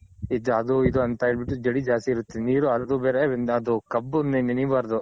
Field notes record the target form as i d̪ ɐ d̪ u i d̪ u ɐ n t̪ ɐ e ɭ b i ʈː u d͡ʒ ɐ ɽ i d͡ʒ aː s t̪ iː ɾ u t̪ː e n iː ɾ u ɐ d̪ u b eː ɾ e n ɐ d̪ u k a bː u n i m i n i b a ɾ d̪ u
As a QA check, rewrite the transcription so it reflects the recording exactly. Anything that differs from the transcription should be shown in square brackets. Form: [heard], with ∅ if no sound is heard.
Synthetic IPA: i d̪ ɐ d̪ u i d̪ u ɐ n t̪ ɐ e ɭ b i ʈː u d͡ʒ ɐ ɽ i d͡ʒ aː s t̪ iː ɾ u t̪ː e n iː ɾ u ɐ d̪ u b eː ɾ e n ɐ d̪ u k [ɐ] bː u n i [n] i n i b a ɾ d̪ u